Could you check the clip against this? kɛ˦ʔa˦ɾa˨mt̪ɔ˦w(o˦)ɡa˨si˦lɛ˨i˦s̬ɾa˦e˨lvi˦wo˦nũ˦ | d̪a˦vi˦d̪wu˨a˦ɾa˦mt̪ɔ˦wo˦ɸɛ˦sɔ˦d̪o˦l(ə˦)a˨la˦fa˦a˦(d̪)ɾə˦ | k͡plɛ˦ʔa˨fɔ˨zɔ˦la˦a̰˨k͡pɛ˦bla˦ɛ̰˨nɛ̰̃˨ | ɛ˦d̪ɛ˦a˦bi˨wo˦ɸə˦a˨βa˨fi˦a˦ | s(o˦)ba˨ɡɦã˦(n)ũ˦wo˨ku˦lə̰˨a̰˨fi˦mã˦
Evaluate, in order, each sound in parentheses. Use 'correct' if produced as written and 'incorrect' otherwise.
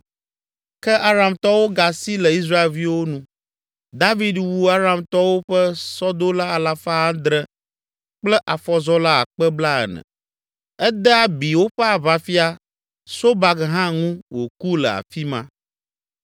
correct, incorrect, correct, correct, incorrect

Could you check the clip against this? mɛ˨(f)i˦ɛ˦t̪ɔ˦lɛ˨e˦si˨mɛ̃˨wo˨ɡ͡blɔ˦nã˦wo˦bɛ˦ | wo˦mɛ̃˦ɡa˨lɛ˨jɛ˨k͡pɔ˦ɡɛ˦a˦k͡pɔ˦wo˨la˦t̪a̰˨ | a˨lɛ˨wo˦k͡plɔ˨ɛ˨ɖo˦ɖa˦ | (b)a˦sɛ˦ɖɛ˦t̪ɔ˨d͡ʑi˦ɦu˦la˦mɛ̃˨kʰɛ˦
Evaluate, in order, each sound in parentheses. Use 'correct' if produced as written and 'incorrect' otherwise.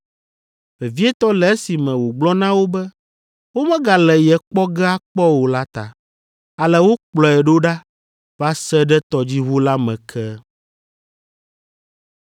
incorrect, incorrect

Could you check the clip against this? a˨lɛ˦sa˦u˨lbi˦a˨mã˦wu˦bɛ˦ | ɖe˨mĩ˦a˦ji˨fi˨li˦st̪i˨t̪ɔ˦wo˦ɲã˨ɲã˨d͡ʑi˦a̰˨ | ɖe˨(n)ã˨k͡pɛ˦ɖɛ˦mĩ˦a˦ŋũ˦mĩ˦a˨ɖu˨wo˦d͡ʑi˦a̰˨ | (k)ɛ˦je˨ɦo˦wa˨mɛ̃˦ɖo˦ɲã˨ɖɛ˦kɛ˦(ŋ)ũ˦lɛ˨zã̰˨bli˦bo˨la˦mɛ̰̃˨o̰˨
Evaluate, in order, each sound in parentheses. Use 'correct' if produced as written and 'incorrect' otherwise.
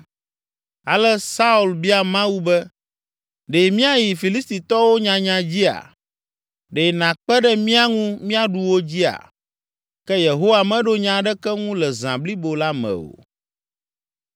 correct, correct, correct

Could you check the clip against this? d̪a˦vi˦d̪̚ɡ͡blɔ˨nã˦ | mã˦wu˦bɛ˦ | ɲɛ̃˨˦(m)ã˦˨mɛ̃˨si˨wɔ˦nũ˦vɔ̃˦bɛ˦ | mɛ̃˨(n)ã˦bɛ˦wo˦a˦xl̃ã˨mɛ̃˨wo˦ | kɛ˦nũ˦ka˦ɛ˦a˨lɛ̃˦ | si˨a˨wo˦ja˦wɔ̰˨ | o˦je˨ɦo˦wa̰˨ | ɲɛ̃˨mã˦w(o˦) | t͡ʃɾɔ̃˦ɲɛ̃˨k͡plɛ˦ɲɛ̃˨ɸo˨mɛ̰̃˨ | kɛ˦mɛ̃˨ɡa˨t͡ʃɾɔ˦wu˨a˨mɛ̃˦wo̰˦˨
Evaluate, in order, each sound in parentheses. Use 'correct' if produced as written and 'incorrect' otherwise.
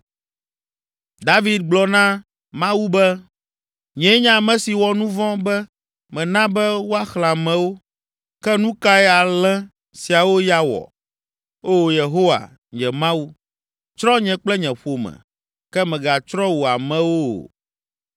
incorrect, correct, incorrect

